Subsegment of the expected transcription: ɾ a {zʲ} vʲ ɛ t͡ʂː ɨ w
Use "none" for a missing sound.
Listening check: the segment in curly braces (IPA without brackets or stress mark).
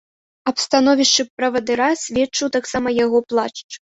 sʲ